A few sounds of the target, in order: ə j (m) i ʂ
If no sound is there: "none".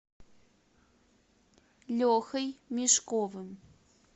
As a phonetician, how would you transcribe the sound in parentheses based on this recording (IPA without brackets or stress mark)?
m